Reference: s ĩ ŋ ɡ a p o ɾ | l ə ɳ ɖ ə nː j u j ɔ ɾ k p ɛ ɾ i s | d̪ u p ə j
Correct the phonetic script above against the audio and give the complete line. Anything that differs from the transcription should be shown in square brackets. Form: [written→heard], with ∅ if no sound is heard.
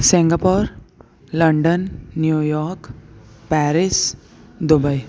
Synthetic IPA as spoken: s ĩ ŋ ɡ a p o ɾ | l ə ɳ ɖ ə nː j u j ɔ ɾ k p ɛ ɾ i s | d̪ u [p→b] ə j